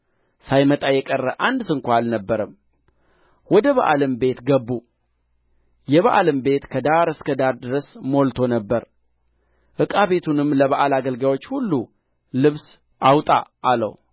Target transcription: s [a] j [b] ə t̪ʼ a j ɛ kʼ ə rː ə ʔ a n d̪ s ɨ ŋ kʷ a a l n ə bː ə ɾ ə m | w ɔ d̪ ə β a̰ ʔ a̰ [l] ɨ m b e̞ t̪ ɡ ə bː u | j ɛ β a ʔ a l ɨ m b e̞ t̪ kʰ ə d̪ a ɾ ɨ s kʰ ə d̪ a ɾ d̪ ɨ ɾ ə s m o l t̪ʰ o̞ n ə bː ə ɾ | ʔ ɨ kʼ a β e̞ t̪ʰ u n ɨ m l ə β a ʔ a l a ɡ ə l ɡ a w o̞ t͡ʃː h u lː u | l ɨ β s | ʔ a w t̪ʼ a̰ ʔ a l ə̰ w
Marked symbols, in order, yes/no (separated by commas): yes, no, yes